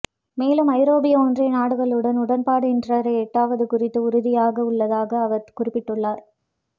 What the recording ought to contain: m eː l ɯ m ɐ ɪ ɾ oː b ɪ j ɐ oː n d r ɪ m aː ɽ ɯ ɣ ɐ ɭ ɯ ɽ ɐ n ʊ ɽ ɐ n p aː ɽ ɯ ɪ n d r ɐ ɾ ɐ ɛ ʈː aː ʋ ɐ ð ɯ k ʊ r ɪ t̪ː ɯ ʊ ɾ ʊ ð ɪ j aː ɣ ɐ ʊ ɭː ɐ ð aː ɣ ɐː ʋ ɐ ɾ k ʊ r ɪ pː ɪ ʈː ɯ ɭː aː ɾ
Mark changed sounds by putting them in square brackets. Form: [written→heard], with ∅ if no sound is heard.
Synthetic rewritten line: m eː l ɯ m ɐ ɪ ɾ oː b ɪ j ɐ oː n d r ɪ [m→n] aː ɽ ɯ ɣ ɐ ɭ ɯ ɽ ɐ n ʊ ɽ ɐ n p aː ɽ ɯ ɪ n d r ɐ ɾ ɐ ɛ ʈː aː ʋ ɐ ð ɯ k ʊ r ɪ t̪ː ɯ ʊ ɾ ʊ ð ɪ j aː ɣ ɐ ʊ ɭː ɐ ð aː ɣ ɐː ʋ ɐ ɾ k ʊ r ɪ pː ɪ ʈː ɯ ɭː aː ɾ